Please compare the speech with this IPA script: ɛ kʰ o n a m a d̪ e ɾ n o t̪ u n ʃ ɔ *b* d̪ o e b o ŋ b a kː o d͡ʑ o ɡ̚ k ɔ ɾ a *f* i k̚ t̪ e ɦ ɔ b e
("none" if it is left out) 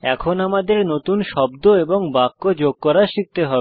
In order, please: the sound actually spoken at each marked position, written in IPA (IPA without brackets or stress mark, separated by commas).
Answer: b, ʃ